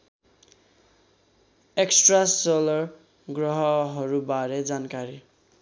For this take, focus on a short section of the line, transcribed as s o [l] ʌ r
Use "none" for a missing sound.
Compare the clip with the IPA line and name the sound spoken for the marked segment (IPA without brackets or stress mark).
l